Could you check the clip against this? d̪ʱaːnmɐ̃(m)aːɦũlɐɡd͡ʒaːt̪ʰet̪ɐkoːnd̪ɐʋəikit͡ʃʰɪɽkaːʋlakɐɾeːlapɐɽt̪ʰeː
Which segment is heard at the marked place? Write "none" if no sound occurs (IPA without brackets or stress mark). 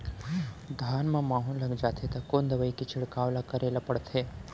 m